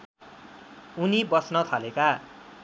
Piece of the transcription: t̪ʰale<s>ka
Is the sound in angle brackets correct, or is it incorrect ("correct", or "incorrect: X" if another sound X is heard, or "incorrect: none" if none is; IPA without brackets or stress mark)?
incorrect: none